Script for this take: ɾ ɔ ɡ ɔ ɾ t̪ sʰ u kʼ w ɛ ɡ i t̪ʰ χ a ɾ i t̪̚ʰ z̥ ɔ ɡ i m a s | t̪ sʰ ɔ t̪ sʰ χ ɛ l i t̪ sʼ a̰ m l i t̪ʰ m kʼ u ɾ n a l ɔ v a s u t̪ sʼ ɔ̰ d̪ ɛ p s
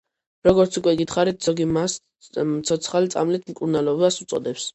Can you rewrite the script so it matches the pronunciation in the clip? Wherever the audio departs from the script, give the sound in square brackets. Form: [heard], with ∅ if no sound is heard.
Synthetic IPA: ɾ ɔ ɡ ɔ ɾ t̪ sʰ u kʼ w ɛ ɡ i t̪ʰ χ a ɾ i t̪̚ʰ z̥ ɔ ɡ i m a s | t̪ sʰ ɔ t̪ sʰ χ [a] l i t̪ sʼ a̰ m l i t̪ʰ m kʼ u ɾ n a l ɔ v a s u t̪ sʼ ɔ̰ d̪ ɛ p s